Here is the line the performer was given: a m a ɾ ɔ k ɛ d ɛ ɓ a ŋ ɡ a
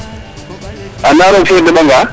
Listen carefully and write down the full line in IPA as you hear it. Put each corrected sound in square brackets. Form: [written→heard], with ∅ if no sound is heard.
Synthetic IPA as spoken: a [m→n] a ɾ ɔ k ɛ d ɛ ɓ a ŋ ɡ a